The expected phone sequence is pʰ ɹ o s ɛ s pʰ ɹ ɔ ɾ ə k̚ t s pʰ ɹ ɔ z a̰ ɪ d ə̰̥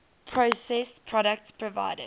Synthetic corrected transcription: pʰ ɹ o s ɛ s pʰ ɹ ɔ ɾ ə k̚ t s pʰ ɹ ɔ v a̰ ɪ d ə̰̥